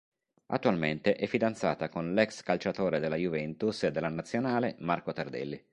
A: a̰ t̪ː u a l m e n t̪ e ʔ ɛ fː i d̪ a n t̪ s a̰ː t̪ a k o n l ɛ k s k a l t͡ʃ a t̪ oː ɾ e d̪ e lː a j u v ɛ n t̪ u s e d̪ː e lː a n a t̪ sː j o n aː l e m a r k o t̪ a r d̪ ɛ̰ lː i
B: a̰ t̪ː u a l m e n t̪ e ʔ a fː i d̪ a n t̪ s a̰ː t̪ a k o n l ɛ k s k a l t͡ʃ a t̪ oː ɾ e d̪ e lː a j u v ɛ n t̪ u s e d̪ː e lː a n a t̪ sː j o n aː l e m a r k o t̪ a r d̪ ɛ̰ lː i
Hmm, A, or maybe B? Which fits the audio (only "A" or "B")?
A